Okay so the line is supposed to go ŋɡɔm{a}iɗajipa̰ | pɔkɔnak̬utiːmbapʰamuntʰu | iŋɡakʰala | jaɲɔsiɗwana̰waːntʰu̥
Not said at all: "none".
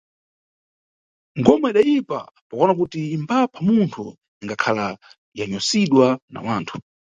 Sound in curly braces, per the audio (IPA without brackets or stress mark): a